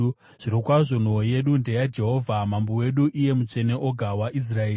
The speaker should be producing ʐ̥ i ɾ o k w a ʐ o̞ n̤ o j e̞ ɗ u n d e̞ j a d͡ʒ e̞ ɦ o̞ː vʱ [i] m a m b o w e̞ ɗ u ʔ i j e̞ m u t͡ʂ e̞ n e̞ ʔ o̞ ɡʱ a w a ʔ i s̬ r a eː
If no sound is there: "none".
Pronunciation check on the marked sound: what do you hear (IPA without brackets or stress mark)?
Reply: a